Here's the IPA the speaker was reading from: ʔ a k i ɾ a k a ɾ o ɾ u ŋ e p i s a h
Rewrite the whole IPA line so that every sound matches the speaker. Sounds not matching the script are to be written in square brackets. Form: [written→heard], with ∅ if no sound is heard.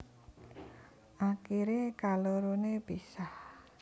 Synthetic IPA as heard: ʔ a k i ɾ [a→e] k a [ɾ→l] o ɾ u [ŋ→n] e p i s a h